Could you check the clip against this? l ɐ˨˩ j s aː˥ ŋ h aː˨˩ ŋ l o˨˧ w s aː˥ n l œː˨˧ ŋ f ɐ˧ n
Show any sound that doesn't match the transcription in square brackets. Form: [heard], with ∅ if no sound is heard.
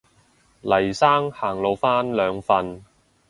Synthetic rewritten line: l ɐ˨˩ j s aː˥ ŋ h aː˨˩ ŋ l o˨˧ w [f] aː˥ n l œː˨˧ ŋ f ɐ˧ n